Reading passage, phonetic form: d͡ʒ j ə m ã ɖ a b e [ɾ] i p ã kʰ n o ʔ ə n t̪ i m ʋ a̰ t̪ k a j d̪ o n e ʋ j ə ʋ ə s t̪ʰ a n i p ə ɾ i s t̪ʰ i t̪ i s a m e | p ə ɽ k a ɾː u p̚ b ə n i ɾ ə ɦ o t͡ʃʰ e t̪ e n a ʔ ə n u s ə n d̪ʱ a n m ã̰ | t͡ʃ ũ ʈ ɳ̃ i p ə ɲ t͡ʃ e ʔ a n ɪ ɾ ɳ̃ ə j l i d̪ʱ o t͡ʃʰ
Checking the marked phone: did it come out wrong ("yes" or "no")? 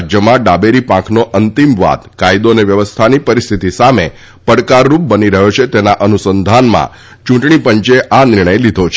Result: no